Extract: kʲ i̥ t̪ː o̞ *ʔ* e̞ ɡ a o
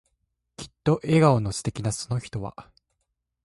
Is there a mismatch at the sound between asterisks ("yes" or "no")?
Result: no